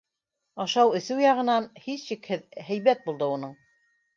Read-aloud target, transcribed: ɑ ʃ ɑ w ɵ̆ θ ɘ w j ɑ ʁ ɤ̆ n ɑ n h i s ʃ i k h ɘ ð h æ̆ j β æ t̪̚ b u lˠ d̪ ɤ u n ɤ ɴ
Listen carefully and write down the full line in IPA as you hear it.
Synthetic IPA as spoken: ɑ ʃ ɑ w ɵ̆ θ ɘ w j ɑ ʁ ɤ̆ n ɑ n h i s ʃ i k h ɘ ð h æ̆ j β æ t̪̚ b u lˠ d̪ ɤ u n ɤ ɴ